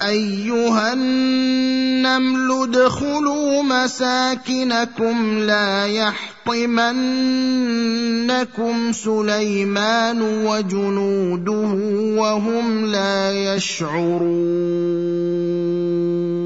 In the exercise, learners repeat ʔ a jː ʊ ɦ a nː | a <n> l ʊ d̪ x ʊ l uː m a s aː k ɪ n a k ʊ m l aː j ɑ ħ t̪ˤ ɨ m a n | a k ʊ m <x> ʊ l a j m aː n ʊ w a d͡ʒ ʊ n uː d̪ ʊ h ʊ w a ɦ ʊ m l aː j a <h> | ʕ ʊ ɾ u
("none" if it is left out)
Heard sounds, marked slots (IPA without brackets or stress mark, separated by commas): m, s, ʃ